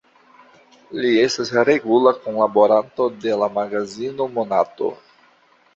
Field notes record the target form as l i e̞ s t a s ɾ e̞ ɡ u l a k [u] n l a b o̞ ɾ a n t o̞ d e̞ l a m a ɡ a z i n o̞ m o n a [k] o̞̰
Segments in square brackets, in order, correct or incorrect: incorrect: o, incorrect: t

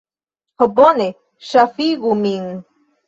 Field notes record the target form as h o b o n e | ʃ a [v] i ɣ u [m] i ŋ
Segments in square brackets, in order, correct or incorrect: incorrect: f, correct

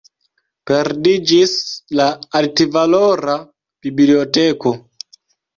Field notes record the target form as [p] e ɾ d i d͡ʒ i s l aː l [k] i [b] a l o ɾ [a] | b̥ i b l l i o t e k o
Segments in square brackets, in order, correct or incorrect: correct, incorrect: t, incorrect: v, correct

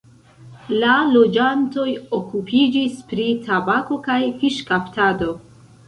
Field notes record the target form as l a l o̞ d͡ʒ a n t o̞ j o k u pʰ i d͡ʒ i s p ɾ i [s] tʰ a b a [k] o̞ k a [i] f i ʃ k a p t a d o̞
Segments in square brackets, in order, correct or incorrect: incorrect: none, correct, incorrect: j

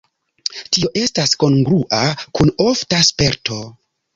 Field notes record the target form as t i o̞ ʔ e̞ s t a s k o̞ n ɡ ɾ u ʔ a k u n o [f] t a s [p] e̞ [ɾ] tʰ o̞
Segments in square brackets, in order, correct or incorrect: correct, correct, correct

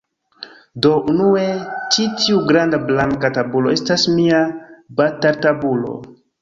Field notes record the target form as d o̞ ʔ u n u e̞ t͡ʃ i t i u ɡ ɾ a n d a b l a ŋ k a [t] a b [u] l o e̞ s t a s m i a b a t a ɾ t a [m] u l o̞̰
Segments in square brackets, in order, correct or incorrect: correct, correct, incorrect: b

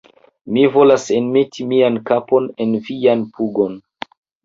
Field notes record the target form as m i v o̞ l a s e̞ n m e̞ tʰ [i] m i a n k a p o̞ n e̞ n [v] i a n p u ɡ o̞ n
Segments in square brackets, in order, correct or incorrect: correct, correct

